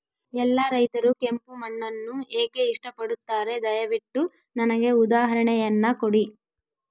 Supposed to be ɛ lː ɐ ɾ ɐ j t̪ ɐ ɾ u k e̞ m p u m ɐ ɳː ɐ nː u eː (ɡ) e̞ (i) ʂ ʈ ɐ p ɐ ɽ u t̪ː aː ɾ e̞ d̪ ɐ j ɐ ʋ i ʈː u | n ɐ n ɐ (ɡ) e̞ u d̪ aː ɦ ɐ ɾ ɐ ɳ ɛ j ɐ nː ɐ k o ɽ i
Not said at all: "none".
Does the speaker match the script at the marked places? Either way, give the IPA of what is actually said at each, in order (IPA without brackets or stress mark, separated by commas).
k, i, ɡ